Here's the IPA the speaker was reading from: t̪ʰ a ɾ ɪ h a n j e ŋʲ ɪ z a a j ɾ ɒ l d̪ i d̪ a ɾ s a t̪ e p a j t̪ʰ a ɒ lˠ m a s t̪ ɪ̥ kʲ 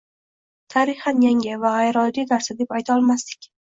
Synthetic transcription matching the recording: t̪ʰ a ɾ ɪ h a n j a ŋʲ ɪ v a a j ɾ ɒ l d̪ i d̪ a ɾ s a d̪ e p a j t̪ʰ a ɒ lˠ m a s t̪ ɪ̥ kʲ